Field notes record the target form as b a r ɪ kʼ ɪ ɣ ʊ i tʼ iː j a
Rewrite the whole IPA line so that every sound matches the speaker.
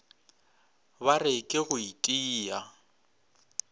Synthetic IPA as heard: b a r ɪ kʼ ɪ ɣ ʊ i tʼ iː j a